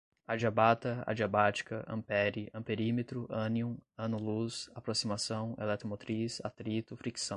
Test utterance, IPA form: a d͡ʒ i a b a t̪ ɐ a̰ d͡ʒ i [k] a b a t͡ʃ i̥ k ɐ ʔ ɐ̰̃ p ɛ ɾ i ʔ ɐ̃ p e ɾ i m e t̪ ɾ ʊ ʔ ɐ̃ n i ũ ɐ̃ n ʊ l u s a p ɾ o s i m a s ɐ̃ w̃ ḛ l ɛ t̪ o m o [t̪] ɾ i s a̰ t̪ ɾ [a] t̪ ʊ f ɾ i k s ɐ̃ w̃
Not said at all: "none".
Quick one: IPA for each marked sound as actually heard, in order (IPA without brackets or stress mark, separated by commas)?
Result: none, t̪, i